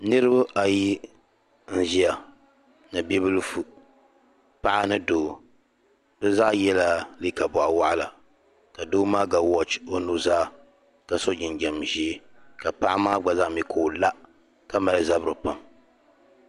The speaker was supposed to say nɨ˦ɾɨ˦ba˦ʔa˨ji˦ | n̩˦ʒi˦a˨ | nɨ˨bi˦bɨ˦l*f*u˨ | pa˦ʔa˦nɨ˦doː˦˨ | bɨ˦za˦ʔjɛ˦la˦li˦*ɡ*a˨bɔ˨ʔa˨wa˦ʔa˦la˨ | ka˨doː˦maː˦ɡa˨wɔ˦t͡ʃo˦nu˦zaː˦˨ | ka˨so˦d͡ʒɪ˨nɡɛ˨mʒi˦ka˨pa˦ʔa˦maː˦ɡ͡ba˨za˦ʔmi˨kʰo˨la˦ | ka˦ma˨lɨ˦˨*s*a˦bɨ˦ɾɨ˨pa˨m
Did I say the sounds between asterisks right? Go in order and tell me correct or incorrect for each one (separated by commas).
correct, incorrect, incorrect